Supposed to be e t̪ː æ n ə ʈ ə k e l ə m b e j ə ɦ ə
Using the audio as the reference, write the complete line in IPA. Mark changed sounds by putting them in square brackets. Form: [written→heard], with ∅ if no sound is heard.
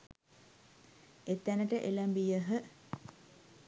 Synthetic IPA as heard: e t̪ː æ n ə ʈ ə [k→ʔ] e l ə m b [e→i] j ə ɦ ə